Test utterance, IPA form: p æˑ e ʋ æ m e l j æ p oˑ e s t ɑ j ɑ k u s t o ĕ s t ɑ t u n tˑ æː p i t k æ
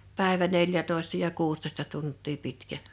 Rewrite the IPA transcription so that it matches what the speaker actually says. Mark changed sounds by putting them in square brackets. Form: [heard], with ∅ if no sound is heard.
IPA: p æˑ e ʋ æ [n] e l j æ [t] oˑ e s t ɑ j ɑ k [uː] s t o ĕ s t ɑ t u n tˑ [iː] p i t k æ